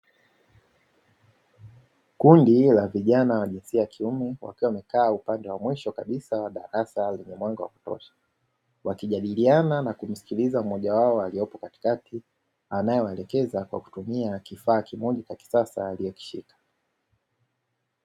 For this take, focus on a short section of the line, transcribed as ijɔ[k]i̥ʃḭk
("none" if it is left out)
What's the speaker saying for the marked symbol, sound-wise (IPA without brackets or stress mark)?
k